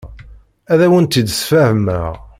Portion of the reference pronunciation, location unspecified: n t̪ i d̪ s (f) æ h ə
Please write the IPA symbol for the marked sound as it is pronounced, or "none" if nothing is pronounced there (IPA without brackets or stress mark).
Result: f